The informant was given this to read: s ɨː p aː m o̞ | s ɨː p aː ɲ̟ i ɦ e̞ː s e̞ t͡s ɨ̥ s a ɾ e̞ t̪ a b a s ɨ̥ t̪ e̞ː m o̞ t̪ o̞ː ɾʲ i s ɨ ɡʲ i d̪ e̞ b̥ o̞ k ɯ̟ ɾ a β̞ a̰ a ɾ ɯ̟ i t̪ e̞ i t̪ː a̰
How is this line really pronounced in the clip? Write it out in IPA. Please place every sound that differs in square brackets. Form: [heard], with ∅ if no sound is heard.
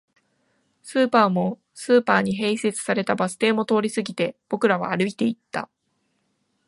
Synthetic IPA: s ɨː p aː m o̞ | s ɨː p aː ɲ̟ i ɦ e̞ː s e̞ t͡s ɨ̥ s a ɾ e̞ t̪ a b a s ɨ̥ t̪ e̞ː m o̞ t̪ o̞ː ɾʲ i s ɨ ɡʲ i [t̪] e̞ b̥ o̞ k ɯ̟ ɾ a β̞ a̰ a ɾ ɯ̟ i t̪ e̞ i t̪ː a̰